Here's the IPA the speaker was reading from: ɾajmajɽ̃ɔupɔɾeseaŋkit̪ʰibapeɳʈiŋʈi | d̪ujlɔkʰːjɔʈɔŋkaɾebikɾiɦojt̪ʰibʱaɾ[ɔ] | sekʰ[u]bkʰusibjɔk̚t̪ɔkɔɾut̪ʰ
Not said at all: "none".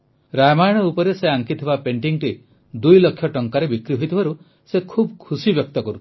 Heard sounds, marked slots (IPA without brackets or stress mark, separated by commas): u, u